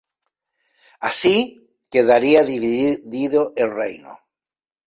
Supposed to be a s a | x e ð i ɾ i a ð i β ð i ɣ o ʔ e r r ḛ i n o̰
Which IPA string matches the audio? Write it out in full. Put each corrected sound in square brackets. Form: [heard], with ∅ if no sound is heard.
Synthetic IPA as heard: a s [i] | [k] e ð [a] ɾ i a ð i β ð i [ð] o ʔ e [l] r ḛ [j] n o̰